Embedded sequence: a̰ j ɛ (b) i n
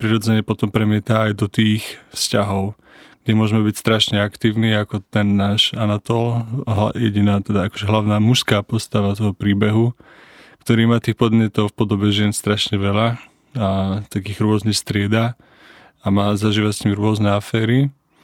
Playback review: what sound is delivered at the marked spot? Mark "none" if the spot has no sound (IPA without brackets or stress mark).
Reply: ɟ